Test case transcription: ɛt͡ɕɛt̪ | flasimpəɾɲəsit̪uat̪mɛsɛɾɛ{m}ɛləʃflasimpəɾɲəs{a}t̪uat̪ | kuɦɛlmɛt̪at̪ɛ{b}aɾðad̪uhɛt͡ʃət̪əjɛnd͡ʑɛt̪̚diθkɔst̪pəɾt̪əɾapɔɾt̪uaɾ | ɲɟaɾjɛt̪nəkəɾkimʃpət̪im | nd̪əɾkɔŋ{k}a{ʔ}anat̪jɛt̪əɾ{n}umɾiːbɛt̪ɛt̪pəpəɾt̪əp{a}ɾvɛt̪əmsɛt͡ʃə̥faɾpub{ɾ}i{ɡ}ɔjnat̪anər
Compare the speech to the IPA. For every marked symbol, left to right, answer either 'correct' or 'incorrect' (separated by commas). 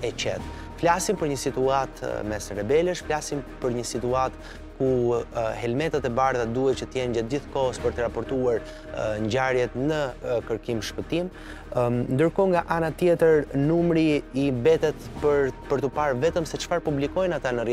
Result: incorrect, incorrect, correct, incorrect, correct, correct, correct, incorrect, incorrect